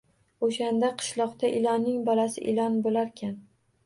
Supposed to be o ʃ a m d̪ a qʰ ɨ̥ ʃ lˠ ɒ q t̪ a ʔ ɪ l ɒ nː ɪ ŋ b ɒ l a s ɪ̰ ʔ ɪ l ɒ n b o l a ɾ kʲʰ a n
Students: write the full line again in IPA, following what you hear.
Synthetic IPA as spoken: o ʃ a n d̪ a qʰ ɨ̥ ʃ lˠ ɒ q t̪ a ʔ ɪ l ɒ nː ɪ ŋ b ɒ l a s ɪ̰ ʔ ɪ l ɒ n b o l a ɾ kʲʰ a n